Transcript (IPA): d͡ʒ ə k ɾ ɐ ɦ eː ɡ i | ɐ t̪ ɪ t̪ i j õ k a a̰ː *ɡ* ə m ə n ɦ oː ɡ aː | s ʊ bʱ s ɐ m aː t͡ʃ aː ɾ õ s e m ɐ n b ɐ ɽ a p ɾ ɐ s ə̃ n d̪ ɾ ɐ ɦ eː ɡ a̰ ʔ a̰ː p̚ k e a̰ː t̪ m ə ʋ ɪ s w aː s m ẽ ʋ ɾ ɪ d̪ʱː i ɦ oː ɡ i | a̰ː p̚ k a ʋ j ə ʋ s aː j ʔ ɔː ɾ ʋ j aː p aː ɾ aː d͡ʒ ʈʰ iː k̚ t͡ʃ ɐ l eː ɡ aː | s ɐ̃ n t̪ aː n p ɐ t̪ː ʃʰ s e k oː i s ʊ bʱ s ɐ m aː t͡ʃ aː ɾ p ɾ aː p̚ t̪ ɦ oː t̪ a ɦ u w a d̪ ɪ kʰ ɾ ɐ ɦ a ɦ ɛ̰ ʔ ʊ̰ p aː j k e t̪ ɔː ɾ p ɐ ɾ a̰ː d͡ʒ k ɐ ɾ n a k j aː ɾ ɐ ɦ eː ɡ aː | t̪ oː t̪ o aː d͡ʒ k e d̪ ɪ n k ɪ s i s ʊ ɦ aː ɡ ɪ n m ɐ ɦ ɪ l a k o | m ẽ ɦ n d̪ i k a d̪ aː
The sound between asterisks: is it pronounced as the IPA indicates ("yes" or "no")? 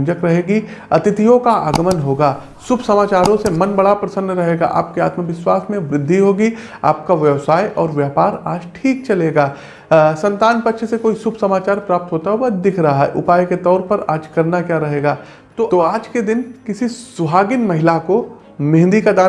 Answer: yes